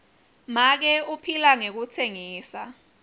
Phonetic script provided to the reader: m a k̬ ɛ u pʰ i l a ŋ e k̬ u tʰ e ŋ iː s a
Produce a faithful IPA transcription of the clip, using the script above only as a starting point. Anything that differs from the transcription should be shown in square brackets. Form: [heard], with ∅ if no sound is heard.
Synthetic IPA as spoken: m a k̬ ɛ u pʰ i l a ŋ e k̬ u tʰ e ŋ iː s a